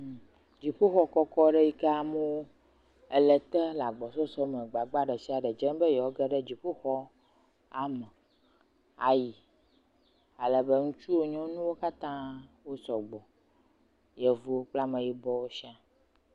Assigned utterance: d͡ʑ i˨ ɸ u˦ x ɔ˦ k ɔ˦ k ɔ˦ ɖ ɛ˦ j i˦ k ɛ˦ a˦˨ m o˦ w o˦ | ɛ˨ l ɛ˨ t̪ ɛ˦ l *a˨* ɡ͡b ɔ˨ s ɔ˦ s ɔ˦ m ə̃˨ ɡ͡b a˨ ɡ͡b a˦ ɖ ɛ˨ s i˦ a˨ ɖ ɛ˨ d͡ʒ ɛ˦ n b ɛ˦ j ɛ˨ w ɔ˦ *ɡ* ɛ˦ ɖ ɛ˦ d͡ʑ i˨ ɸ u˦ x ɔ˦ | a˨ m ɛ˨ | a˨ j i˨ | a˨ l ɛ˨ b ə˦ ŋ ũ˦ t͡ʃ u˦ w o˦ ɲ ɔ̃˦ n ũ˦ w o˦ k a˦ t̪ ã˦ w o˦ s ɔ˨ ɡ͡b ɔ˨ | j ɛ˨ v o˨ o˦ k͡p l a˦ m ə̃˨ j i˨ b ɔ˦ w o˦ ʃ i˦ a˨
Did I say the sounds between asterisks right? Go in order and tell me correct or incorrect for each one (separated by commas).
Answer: correct, correct